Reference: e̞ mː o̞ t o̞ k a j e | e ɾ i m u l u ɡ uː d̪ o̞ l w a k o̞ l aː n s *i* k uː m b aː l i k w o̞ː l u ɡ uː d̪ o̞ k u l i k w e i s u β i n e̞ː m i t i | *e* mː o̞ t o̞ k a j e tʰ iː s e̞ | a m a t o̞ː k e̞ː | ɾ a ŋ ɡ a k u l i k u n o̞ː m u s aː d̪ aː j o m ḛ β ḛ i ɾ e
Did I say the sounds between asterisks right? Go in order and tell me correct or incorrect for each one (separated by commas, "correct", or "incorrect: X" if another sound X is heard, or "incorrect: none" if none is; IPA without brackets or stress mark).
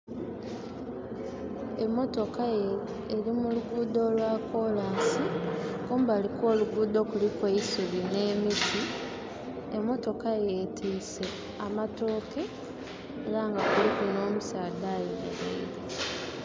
correct, correct